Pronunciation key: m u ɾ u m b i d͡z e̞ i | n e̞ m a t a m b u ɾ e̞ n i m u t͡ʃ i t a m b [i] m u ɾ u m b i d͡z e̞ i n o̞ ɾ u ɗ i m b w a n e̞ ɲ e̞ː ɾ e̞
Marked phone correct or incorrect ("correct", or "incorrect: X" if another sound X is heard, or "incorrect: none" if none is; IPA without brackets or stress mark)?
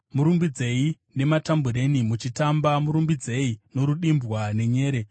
incorrect: a